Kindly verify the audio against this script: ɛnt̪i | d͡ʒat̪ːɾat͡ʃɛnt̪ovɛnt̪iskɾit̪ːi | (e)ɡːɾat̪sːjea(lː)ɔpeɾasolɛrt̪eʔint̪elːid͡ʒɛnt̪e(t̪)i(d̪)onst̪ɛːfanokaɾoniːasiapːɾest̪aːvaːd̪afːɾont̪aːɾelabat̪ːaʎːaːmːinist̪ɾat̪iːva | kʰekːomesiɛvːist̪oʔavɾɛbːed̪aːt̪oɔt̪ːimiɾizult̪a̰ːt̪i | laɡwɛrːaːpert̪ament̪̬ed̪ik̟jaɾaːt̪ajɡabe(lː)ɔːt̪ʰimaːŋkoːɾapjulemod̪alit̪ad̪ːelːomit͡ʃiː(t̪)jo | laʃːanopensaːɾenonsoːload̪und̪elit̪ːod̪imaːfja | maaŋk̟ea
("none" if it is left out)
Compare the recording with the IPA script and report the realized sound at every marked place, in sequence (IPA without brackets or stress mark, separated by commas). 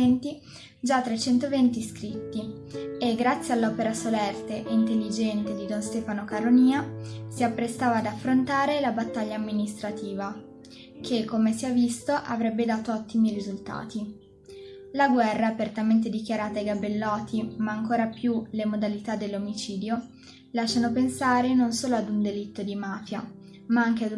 e, lː, d̪, d̪, lː, d̪